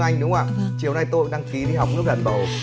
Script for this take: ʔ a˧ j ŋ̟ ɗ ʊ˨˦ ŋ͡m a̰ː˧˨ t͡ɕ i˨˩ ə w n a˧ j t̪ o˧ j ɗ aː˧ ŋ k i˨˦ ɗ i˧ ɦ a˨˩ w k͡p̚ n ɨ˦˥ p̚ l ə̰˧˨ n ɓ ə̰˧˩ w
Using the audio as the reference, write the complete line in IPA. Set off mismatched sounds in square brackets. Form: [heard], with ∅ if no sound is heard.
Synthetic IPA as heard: ʔ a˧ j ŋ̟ ɗ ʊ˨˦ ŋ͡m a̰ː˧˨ t͡ɕ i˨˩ ə w n a˧ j t̪ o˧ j ɗ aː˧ ŋ k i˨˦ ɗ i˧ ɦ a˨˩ w k͡p̚ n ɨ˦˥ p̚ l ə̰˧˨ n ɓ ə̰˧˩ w